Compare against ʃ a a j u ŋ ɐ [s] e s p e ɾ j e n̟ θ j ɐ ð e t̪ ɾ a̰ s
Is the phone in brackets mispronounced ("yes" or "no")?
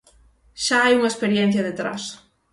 yes